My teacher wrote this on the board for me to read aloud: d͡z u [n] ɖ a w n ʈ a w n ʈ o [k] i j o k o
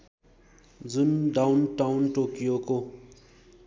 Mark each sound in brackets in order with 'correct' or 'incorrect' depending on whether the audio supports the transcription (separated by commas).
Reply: correct, correct